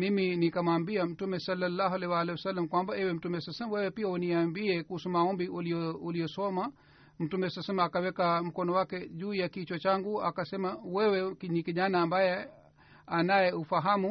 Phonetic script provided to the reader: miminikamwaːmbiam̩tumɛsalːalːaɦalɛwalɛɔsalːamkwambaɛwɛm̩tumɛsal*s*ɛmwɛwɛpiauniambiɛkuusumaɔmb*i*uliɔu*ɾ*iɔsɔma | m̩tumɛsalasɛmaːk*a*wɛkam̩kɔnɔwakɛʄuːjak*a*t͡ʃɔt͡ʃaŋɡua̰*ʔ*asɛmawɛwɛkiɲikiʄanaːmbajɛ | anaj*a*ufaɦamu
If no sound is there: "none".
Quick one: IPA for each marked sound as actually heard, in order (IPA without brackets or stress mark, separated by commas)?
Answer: s, i, l, a, i, k, ɛ